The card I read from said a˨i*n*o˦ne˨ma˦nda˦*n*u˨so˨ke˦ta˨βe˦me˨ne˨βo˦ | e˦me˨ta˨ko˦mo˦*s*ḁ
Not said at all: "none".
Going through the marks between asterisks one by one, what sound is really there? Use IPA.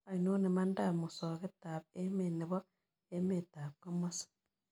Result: n, m, s

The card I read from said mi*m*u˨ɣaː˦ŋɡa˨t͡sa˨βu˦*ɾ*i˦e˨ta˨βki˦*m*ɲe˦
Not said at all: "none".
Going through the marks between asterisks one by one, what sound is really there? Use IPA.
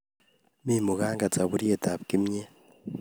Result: m, ɾ, m

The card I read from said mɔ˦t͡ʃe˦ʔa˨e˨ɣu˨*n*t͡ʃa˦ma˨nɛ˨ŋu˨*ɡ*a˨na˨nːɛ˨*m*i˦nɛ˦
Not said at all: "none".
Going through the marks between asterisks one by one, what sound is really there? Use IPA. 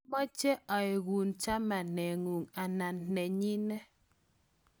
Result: n, ŋ, ɲ

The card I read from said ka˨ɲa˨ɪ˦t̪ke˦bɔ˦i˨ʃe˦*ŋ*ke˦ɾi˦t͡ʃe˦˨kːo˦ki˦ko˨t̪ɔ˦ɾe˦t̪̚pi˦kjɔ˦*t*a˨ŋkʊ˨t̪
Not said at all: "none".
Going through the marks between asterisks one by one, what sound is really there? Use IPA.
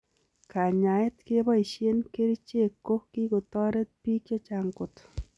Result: n, t͡ʃ

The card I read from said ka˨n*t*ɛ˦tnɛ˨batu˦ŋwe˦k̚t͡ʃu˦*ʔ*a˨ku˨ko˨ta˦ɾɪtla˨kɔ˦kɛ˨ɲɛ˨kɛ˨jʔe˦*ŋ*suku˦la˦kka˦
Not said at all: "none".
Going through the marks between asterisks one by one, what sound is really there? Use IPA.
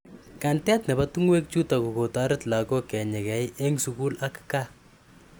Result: t, t, ŋ

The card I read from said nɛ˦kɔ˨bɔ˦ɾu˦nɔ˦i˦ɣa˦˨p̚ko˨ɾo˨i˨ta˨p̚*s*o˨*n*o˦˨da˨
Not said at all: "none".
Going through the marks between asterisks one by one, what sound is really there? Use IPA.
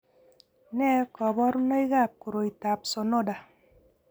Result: s, n

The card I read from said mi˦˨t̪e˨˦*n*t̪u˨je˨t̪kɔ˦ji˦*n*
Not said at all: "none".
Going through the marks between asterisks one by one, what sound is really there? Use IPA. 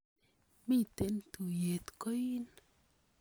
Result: n, n

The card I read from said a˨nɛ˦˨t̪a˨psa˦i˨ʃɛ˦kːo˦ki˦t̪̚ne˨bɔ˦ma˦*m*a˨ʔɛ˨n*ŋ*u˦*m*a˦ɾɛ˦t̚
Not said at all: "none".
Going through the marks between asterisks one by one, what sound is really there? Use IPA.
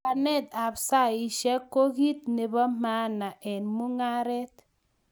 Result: n, m, ŋ

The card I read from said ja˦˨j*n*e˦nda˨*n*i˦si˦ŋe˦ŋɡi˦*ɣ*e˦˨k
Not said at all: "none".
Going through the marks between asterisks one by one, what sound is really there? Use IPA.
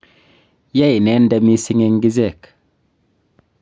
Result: n, m, z

